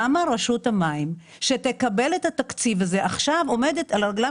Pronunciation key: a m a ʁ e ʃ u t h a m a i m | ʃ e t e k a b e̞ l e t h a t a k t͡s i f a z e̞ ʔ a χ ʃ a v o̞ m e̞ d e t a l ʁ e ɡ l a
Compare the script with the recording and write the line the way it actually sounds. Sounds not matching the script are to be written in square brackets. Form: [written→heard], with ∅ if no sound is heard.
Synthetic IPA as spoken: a m a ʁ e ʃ u t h a m a i m | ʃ e t e k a b e̞ l e t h a t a k t͡s i [f→v] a z e̞ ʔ a χ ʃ a v o̞ m e̞ d e t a l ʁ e ɡ l a

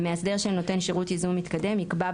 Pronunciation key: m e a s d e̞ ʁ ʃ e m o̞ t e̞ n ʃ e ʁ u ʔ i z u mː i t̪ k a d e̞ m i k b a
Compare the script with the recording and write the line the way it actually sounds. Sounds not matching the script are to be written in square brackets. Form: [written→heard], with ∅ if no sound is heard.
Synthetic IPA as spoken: m e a s d e̞ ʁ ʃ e [m→n] o̞ t e̞ n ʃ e ʁ u [ʔ→t] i z u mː i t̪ k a d e̞ m i k b a

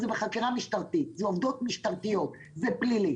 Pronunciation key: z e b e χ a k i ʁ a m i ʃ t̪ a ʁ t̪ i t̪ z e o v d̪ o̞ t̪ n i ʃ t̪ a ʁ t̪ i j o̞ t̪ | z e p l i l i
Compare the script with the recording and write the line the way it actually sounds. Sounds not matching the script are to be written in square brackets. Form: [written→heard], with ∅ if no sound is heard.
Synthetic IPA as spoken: z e b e χ a k i ʁ a m i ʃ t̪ a ʁ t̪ i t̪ z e o v d̪ o̞ t̪ [n→m] i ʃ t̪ a ʁ t̪ i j o̞ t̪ | z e p l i l i

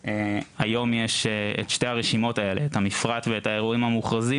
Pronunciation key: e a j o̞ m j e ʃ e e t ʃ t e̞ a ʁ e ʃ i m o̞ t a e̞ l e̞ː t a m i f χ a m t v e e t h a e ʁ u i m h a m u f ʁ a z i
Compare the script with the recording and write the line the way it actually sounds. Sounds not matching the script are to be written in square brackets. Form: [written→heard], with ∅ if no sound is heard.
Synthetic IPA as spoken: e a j o̞ m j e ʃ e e t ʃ t e̞ a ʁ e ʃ i m o̞ t a e̞ l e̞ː t a m i f [χ→ʁ] a [m→∅] t v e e t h a e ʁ u i m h a m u [f→χ] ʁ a z i

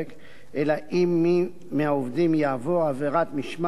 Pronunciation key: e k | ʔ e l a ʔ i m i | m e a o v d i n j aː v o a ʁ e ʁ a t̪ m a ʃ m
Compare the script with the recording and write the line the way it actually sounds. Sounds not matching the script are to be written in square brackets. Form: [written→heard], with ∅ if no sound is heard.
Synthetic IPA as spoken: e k | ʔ e l a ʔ i m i | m e a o v d i [n→m] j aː v o a [ʁ→v] e ʁ a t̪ m [a→i] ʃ m

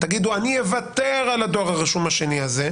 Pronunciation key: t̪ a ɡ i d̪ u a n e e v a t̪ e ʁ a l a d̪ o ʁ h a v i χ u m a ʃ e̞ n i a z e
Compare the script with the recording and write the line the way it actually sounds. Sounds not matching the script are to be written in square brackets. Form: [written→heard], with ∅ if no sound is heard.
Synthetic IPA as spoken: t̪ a ɡ i d̪ u a n [e→i] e v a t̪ e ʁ a l a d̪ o ʁ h a [v→ʁ] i [χ→ʃ] u m a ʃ e̞ n i a z e

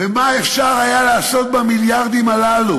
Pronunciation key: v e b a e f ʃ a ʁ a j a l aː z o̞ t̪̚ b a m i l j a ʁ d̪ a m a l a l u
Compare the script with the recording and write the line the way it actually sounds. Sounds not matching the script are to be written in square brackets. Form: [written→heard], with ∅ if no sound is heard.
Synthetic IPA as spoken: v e [b→m] a e f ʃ a ʁ a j a l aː [z→s] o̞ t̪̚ b a m i l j a ʁ d̪ [a→i] m a l a l u

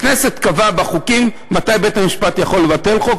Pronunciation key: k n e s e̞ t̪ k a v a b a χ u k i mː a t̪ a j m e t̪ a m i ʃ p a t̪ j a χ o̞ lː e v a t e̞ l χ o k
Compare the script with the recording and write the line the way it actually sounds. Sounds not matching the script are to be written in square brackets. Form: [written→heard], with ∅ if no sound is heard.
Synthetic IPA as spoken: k n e s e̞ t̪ k a v a b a χ u k i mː a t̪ a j [m→b] e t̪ a m i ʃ p a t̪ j a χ o̞ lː e v a t e̞ l χ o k

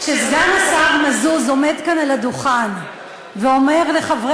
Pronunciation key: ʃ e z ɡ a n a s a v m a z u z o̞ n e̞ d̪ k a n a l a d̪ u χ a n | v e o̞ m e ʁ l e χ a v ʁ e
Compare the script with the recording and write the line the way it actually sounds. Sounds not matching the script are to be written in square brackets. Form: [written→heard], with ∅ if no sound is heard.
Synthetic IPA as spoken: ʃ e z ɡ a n a s a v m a z u z o̞ [n→m] e̞ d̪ k a n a l a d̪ u χ a n | v e o̞ m e ʁ l e χ a v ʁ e

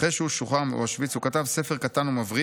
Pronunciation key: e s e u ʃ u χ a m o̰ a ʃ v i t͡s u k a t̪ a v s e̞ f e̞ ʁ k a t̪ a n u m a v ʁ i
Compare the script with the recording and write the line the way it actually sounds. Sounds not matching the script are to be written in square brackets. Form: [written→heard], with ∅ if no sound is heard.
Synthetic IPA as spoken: e [s→ʃ] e u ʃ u χ a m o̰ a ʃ v i t͡s u k a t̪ a v s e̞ f e̞ ʁ k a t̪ a n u m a v ʁ i

